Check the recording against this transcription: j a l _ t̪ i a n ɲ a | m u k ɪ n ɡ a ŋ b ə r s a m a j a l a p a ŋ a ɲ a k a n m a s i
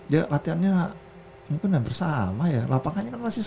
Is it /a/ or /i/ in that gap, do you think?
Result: a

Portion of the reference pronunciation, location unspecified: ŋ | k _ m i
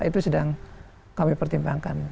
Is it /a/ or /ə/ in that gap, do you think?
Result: a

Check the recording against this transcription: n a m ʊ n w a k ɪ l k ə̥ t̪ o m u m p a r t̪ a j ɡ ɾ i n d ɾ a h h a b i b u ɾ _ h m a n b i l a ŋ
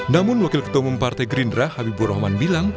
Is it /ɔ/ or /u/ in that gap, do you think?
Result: ɔ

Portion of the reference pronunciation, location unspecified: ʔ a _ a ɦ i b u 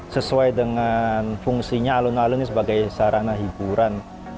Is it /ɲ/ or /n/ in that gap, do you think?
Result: n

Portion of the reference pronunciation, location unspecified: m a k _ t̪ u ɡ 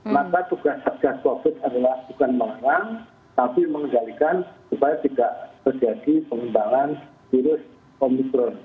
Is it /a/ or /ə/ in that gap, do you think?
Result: a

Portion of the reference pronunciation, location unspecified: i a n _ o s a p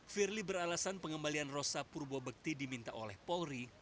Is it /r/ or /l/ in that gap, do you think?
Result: r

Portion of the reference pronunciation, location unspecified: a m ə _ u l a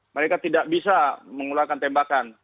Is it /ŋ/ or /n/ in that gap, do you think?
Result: ŋ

